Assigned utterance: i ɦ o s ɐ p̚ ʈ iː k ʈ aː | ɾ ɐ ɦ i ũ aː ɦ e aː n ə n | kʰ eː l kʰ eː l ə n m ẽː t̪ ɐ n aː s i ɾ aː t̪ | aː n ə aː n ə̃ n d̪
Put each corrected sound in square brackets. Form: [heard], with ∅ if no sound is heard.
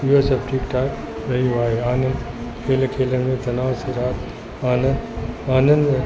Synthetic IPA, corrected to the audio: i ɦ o s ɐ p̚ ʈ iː k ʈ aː | ɾ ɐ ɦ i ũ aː ɦ e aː n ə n | kʰ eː l kʰ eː l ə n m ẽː t̪ ɐ n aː s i ɾ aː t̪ | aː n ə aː n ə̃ n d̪